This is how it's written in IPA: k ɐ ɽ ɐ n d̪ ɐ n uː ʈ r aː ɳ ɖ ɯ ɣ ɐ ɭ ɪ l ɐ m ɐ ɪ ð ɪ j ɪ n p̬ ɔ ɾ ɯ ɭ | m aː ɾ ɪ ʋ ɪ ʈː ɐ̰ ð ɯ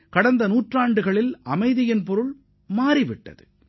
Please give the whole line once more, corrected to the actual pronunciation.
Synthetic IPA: k ɐ ɽ ɐ n d̪ ɐ n uː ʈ r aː ɳ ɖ ɯ ɣ ɐ ɭ ɪ l ɐ m ɐ ɪ ð ɪ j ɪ n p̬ ɔ ɾ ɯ ɭ | m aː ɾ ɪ ʋ ɪ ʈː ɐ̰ ð ɯ